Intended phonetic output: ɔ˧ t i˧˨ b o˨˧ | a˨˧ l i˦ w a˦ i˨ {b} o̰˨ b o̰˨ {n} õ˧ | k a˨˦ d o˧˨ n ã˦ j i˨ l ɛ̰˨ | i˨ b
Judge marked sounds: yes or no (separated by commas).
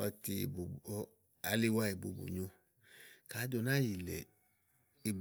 yes, no